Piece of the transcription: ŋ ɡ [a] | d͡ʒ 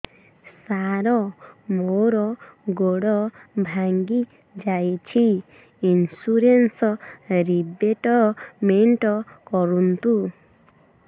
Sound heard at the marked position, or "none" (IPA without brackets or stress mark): i